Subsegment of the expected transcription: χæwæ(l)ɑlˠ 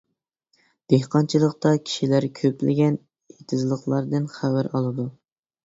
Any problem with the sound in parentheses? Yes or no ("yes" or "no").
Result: yes